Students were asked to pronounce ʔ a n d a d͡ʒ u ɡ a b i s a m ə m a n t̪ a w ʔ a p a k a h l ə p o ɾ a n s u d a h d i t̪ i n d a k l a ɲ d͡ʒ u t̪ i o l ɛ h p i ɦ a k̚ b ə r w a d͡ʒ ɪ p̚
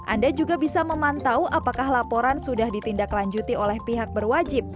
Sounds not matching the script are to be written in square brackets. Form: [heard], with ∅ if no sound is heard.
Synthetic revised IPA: ʔ a n d a d͡ʒ u ɡ a b i s a m ə m a n t̪ a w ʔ a p a k a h l [a] p o ɾ a n s u d a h d i t̪ i n d a k l a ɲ d͡ʒ u t̪ i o l ɛ h p i ɦ a k̚ b ə r w a d͡ʒ ɪ p̚

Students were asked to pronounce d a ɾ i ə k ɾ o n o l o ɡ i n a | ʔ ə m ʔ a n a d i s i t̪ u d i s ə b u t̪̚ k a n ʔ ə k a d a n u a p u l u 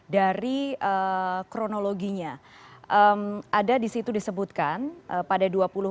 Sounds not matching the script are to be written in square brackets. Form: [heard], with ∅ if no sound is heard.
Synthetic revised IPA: d a ɾ i ə k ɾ o n o l o ɡ i [ɲ] a | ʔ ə m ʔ a [d] a d i s i t̪ u d i s ə b u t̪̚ k a n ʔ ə [p] a d a [d] u a p u l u

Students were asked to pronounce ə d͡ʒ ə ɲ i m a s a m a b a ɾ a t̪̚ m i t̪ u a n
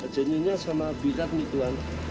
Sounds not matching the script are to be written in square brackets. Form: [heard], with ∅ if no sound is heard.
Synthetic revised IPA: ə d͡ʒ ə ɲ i [ɲ] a s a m a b [i] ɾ a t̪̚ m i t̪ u a n

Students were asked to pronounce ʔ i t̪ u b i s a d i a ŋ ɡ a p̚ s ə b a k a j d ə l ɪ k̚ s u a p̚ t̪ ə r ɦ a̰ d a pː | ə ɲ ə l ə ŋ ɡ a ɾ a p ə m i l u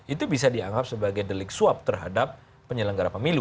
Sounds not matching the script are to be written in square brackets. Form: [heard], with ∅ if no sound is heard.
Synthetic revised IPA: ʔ i t̪ u b i s a d i a ŋ ɡ a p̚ s ə b a [ɡ] a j d ə l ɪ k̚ s u a p̚ t̪ ə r ɦ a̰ d a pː | ə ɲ ə l ə ŋ ɡ a ɾ a p ə m i l u

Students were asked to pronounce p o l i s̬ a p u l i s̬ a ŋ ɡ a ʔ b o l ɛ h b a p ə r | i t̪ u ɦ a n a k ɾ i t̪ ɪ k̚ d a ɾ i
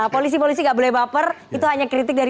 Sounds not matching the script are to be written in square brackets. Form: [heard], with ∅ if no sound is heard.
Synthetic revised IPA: p o l i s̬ [i] p [o] l i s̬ [i] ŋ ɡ a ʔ b o l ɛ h b a p ə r | i t̪ u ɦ a [ɲ] a k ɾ i t̪ ɪ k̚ d a ɾ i

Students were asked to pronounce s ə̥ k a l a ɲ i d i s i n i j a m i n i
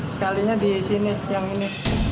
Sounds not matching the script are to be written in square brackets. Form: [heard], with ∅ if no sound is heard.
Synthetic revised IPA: s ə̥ k a l [i] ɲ [a] d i s i n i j a [ŋ] i n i

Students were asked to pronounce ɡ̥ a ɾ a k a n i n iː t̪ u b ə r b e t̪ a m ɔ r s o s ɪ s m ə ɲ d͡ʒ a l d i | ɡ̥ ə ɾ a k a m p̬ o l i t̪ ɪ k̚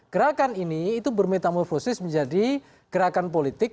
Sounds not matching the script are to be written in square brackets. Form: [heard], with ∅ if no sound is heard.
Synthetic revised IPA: ɡ̥ [ə] ɾ a k a n i n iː t̪ u b ə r [m] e t̪ a m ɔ r [f] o s ɪ s m ə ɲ d͡ʒ a [∅] d i | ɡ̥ ə ɾ a k a [n] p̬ o l i t̪ ɪ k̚

